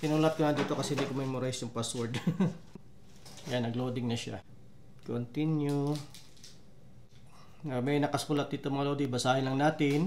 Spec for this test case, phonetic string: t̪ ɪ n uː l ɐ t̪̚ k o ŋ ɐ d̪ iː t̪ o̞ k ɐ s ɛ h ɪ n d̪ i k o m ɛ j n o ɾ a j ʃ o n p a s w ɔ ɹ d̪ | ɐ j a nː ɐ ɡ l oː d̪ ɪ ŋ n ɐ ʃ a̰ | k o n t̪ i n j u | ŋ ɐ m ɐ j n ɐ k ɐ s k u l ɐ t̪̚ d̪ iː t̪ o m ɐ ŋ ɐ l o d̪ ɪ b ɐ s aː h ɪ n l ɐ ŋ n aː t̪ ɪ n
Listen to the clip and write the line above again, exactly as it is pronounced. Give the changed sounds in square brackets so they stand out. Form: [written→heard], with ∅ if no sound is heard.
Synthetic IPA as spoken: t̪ ɪ n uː l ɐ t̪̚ k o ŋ ɐ d̪ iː t̪ o̞ k ɐ s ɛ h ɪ n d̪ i k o m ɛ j [n→m] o ɾ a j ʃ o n p a s w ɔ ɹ d̪ | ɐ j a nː ɐ ɡ l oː d̪ ɪ ŋ n ɐ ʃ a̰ | k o n t̪ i n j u | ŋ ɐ m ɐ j n ɐ k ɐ s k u l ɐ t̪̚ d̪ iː t̪ o m ɐ ŋ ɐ l o d̪ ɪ b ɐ s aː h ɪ n l ɐ ŋ n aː t̪ ɪ n

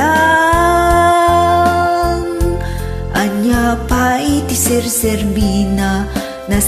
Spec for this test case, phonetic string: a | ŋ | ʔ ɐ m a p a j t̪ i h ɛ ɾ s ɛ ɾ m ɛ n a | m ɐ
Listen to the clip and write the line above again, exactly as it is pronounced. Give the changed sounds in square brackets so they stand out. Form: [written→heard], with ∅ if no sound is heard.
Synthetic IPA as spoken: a | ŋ | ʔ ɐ [m→ɲ] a p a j t̪ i [h→s] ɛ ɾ s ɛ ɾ m [ɛ→i] n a | [m→n] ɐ

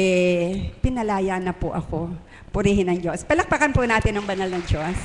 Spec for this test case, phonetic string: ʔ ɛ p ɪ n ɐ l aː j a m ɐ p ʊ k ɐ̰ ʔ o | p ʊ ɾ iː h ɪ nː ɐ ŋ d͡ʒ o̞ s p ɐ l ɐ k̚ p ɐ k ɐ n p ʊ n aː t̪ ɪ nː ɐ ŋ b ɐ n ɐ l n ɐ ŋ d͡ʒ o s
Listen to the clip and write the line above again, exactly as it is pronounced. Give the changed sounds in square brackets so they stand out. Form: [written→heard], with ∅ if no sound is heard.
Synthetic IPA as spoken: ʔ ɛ p ɪ n ɐ l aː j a [m→n] ɐ p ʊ [k→ʔ] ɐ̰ [ʔ→k] o | p ʊ ɾ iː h ɪ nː ɐ ŋ d͡ʒ o̞ s p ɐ l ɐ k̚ p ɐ k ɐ n p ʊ n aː t̪ ɪ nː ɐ ŋ b ɐ n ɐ l n ɐ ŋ d͡ʒ o s

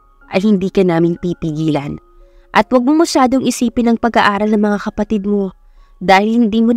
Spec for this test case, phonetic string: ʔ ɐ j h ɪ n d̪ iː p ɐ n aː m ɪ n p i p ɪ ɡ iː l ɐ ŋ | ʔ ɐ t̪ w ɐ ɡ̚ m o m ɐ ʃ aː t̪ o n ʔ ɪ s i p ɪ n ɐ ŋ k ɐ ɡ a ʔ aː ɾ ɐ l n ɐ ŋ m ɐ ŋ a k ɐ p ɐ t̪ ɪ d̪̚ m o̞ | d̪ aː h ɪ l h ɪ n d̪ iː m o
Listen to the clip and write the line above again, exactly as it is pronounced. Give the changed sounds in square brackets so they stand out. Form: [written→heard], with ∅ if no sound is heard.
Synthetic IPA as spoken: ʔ ɐ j h ɪ n d̪ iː [p→k] ɐ n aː m ɪ n p i p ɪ ɡ iː l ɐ [ŋ→n] | ʔ ɐ t̪ w ɐ ɡ̚ m o m ɐ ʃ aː [t̪→d̪] o [n→ŋ] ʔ ɪ s [i→iː] p ɪ n ɐ ŋ [k→p] ɐ ɡ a ʔ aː ɾ ɐ l n ɐ ŋ m ɐ ŋ a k ɐ p ɐ t̪ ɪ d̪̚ m o̞ | d̪ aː h ɪ l h ɪ n d̪ iː m o

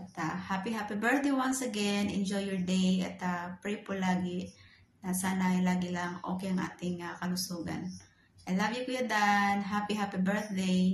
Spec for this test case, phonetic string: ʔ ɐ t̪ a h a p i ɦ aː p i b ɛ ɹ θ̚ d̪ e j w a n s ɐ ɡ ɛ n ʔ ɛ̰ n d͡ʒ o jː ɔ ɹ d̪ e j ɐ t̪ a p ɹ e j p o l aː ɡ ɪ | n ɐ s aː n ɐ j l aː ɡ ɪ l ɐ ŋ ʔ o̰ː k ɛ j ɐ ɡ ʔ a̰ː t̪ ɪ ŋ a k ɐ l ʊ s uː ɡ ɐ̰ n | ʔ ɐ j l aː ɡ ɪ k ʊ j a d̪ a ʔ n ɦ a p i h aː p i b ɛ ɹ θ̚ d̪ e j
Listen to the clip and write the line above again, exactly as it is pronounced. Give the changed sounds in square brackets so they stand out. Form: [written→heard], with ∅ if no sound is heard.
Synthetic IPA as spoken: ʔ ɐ t̪ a h a p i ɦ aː p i b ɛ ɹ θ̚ d̪ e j w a n s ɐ ɡ ɛ n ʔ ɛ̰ n d͡ʒ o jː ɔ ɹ d̪ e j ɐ t̪ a p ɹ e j p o l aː ɡ ɪ | n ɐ s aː n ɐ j l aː ɡ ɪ l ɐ ŋ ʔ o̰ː k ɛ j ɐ [ɡ→ŋ] ʔ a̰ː t̪ ɪ ŋ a k ɐ l ʊ s uː ɡ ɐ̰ n | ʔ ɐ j l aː ɡ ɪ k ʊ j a d̪ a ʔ n ɦ a p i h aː p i b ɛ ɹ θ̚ d̪ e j

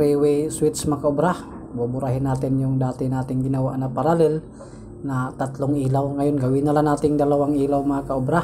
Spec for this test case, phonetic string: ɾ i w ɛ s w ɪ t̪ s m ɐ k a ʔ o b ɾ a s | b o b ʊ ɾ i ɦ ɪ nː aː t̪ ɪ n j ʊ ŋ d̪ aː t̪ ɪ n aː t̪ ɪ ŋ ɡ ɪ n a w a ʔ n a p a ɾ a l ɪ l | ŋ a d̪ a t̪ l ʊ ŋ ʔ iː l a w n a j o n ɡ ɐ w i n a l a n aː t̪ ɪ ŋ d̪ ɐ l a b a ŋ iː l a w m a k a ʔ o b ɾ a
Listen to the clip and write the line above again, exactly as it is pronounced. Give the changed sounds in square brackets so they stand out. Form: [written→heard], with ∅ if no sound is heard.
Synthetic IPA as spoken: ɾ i w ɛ s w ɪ t̪ s m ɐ k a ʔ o b ɾ a [s→h] | b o b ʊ ɾ [i→a] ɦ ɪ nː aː t̪ ɪ n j ʊ ŋ d̪ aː t̪ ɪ n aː t̪ ɪ ŋ ɡ ɪ n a w a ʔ n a p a ɾ a l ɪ l | [ŋ→n] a [d̪→t̪] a t̪ l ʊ ŋ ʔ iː l a w [n→ŋ] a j o n ɡ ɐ w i n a l a n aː t̪ ɪ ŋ d̪ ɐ l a [b→w] a ŋ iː l a w m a k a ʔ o b ɾ a

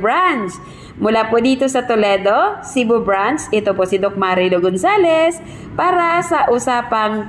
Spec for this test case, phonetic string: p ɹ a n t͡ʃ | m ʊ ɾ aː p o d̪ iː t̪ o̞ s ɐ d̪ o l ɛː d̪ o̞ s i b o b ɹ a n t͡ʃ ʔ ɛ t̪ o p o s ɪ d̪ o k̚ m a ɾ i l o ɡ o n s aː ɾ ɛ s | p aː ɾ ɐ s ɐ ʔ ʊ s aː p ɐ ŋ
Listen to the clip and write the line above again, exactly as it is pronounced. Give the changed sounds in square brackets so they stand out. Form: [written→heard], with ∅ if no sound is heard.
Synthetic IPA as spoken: [p→b] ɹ a n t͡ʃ | m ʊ [ɾ→l] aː p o d̪ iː t̪ o̞ s ɐ [d̪→t̪] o l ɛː d̪ o̞ s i b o b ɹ a n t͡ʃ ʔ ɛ t̪ o p o s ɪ d̪ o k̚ m a ɾ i l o ɡ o n s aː [ɾ→l] ɛ s | p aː ɾ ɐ s ɐ ʔ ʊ s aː p ɐ ŋ

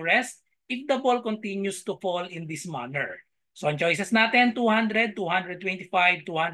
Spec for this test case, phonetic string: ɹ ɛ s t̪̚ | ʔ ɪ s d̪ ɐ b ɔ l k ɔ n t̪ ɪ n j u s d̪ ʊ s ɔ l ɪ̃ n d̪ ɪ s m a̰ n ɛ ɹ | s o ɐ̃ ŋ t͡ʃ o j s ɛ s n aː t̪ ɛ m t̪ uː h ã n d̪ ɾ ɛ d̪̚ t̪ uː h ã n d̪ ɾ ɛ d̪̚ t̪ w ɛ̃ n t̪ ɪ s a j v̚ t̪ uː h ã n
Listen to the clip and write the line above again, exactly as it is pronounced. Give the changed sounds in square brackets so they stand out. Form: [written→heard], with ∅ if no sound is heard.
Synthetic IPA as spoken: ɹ ɛ s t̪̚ | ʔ ɪ [s→f] d̪ ɐ b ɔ l k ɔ n t̪ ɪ n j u s [d̪→t̪] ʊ [s→f] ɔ l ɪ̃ n d̪ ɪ s m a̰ n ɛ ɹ | s o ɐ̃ ŋ t͡ʃ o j s ɛ s n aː t̪ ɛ [m→n] t̪ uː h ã n d̪ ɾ ɛ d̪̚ t̪ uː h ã n d̪ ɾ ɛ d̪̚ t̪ w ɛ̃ n t̪ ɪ [s→f] a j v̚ t̪ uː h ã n

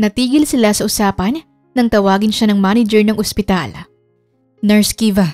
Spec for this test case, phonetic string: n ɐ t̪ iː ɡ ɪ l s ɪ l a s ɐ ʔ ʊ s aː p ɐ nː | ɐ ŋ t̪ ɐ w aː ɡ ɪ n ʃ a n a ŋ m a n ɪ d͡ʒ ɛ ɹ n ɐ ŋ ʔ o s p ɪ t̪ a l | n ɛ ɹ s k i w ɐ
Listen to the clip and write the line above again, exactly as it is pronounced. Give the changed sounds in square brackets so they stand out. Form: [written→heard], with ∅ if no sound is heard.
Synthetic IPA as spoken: n ɐ t̪ iː ɡ ɪ l s ɪ l a s ɐ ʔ ʊ s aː p ɐ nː | ɐ ŋ t̪ ɐ w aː ɡ ɪ n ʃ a n [a→ɐ] ŋ m a n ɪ d͡ʒ ɛ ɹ n ɐ ŋ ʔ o s p ɪ t̪ a l | n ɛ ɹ s k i [w→v] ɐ

